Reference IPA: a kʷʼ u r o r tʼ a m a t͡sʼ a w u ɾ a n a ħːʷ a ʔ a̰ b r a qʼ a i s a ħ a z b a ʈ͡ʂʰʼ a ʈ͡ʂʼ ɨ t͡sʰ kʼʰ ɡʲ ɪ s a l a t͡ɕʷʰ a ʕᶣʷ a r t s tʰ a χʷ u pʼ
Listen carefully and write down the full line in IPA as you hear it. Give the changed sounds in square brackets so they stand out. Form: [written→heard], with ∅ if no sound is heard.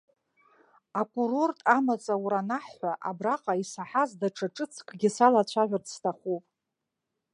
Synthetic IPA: a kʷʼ u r o r tʼ a m a t͡sʼ a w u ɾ a n a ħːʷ a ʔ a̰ b r a qʼ a i s a ħ a z [b→d] a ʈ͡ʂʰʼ a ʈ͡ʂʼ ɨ t͡sʰ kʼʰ ɡʲ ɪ s a l a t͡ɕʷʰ a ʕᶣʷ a r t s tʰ a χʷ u pʼ